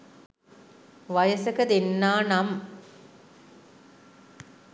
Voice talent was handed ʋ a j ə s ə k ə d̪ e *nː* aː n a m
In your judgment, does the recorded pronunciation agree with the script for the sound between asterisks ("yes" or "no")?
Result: yes